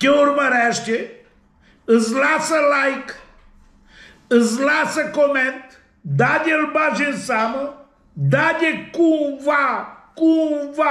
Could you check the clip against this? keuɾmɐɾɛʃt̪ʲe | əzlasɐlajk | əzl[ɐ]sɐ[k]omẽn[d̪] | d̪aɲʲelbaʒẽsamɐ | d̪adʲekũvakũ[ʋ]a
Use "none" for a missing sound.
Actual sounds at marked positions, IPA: a, k, t̪, v

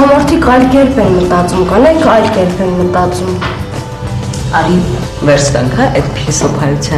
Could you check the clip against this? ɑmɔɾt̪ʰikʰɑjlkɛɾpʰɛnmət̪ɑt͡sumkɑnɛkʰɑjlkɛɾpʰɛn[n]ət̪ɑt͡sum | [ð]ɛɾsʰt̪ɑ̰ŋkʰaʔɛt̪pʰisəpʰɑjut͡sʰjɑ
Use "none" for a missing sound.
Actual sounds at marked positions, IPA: m, v

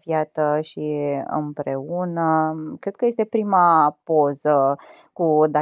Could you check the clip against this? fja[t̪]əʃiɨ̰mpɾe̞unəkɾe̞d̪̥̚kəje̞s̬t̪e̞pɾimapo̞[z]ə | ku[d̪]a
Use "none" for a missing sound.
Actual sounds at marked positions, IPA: t̪, z, d̪

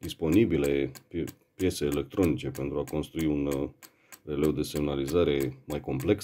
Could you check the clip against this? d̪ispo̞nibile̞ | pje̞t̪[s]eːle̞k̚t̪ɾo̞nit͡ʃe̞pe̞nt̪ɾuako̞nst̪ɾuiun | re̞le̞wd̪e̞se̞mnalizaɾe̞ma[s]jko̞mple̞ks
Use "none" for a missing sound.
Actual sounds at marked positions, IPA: s, none

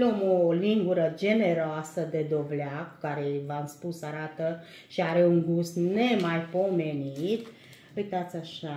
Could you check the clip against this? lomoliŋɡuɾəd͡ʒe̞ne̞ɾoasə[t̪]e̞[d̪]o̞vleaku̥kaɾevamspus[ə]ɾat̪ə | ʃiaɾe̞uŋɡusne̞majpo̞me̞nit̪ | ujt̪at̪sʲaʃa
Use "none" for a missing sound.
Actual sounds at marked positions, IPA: d̪, d̪, a

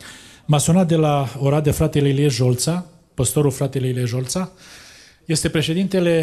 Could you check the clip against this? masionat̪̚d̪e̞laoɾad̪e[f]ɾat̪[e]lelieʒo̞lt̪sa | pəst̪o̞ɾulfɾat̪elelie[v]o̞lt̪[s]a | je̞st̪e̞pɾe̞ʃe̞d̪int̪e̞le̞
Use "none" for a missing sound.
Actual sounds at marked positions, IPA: f, e, ʒ, s

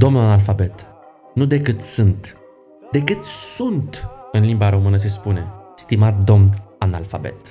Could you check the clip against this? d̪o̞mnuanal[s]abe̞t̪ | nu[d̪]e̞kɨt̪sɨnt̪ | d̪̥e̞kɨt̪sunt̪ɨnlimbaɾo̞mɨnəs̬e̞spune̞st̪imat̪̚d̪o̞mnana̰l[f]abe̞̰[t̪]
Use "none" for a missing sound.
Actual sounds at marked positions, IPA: f, d̪, f, t̪

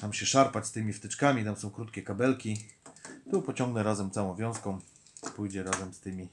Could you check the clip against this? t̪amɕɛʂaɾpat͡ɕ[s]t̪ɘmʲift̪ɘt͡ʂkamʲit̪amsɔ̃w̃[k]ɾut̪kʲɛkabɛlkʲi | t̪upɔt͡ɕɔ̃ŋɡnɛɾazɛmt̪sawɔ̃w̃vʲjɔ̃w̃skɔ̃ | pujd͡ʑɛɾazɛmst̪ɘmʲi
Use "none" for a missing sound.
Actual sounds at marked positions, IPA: s, k

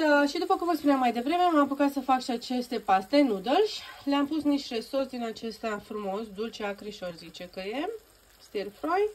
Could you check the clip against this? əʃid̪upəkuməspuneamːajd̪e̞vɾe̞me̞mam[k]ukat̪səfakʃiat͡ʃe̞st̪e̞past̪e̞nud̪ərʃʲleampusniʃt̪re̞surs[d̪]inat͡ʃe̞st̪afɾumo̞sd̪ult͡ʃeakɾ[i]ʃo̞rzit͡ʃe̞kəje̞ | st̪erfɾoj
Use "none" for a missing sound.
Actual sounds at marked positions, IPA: p, d̪, i

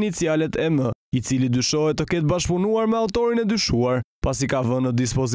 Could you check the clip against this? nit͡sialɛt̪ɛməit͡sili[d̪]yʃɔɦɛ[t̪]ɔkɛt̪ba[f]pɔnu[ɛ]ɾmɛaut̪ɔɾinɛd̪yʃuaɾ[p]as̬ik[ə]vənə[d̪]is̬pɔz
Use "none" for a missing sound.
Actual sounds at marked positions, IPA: d̪, t̪, ʃ, a, p, a, d̪

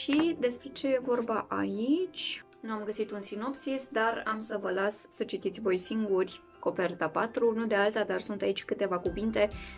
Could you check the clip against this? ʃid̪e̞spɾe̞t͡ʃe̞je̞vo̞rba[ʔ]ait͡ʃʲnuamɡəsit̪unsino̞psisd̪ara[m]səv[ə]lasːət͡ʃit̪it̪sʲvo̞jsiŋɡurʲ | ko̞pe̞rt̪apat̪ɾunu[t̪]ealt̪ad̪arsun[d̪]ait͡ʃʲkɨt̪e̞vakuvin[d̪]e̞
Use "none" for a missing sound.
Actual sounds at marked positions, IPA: ʔ, m, ə, d̪, t̪, t̪

